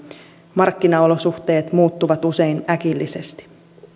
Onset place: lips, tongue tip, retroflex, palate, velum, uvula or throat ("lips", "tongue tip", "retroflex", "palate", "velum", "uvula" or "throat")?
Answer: lips